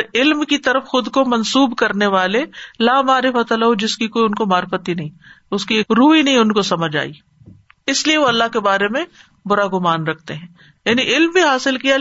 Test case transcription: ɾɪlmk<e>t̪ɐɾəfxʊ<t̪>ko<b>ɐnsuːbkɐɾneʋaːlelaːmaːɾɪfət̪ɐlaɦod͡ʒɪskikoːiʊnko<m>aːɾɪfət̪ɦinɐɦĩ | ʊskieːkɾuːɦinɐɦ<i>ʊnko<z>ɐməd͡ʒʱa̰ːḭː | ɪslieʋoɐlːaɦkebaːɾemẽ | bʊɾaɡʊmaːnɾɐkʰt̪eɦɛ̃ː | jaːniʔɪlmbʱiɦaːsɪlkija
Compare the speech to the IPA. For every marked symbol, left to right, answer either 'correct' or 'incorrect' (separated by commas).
incorrect, incorrect, incorrect, correct, incorrect, incorrect